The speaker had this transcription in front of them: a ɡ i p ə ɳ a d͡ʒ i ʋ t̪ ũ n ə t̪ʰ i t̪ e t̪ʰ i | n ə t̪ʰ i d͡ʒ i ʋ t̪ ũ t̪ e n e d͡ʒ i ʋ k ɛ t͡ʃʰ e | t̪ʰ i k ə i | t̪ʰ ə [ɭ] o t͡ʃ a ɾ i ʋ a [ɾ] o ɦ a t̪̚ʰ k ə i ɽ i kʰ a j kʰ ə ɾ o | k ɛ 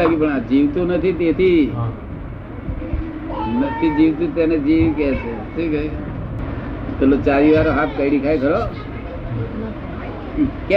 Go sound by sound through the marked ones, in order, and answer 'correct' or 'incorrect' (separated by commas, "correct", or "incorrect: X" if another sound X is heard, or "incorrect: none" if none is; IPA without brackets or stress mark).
incorrect: l, correct